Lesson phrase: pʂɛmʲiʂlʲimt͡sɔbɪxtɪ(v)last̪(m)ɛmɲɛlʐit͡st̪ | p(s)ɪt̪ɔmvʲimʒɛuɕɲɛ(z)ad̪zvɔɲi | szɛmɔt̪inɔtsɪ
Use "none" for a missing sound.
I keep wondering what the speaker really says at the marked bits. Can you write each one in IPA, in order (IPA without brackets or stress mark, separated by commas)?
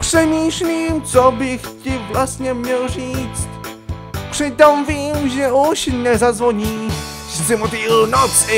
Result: v, ɲ, ʂ, z